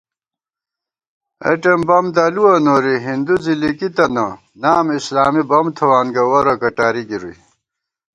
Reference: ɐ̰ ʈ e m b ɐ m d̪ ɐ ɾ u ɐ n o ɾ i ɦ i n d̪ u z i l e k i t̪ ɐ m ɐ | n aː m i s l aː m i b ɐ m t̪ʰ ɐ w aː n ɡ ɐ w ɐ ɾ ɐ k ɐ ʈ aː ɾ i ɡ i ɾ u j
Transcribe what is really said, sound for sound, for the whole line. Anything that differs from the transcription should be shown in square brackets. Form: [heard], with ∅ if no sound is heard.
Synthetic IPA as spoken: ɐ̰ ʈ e m b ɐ m d̪ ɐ [l] u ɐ n o ɾ i ɦ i n d̪ u z i l [i] k i t̪ ɐ [n] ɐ | n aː m i s l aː m i b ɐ m t̪ʰ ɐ w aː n ɡ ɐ w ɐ ɾ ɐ k ɐ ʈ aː ɾ i ɡ i ɾ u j